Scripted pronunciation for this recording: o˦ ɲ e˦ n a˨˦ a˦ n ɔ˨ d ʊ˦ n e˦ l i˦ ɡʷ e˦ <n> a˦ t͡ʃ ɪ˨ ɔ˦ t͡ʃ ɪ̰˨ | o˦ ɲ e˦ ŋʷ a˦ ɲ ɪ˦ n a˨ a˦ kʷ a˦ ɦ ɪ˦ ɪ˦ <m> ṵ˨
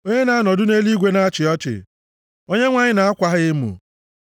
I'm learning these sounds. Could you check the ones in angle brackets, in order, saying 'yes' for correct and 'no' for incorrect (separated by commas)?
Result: yes, yes